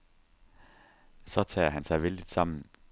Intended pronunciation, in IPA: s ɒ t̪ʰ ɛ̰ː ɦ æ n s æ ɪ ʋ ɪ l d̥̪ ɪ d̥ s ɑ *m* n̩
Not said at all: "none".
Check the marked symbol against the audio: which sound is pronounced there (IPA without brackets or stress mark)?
m